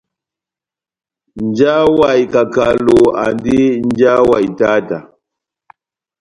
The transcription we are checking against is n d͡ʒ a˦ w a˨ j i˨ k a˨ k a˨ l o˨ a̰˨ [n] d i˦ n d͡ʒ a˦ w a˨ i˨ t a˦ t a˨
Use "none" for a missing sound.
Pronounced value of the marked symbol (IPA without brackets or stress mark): n